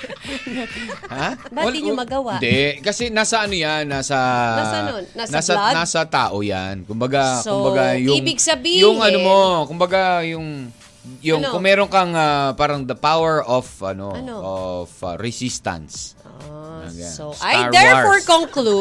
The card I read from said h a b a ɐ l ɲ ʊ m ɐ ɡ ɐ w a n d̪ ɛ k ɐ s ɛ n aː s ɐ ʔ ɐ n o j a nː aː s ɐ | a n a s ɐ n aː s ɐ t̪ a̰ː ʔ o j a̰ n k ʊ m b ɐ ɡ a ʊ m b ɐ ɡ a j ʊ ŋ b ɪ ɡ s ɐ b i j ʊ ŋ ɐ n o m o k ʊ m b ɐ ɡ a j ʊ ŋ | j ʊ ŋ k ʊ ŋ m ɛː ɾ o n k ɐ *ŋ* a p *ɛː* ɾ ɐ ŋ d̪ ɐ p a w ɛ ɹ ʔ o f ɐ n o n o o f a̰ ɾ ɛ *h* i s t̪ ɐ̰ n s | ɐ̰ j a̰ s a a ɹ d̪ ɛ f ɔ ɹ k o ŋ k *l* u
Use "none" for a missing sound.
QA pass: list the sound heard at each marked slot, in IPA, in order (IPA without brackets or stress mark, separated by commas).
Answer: ŋ, aː, s, l